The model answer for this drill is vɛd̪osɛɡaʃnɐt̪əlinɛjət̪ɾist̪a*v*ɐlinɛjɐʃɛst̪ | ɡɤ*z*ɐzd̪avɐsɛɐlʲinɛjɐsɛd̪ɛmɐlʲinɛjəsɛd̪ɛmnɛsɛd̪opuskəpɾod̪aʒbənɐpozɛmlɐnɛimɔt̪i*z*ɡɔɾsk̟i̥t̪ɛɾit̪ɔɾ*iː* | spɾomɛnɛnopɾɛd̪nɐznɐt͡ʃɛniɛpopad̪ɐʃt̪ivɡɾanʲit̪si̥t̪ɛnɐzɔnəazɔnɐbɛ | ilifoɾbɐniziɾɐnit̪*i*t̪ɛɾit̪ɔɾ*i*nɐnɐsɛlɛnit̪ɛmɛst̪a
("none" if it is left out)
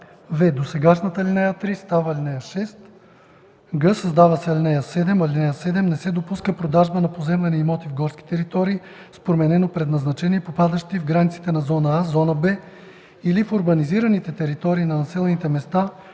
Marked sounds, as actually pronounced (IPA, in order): v, s, v, iː, ɛ, iː

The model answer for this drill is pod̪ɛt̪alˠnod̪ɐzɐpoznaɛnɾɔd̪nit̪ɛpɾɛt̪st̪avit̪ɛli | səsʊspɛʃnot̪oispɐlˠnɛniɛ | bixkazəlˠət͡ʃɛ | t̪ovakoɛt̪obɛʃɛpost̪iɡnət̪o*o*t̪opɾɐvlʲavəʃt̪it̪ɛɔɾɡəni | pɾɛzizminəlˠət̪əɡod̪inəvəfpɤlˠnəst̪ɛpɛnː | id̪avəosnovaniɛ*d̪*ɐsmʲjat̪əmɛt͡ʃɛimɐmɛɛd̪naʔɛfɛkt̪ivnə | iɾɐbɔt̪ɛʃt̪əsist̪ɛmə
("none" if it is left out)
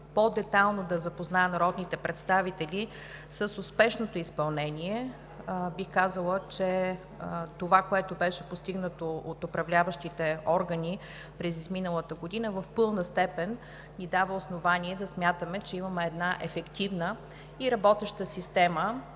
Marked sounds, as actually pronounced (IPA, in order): o, d̪

